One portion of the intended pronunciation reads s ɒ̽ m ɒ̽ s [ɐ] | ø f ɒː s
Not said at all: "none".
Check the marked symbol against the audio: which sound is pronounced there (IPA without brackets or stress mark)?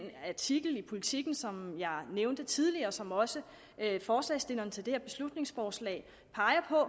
ə